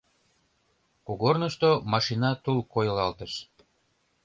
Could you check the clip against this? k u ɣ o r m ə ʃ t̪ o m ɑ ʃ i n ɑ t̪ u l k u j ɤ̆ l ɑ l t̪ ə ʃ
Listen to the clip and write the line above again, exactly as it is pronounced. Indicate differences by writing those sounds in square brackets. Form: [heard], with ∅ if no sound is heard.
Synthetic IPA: k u ɣ o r [n] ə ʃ t̪ o m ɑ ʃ i n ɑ t̪ u l k [o] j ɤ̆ l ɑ l t̪ ə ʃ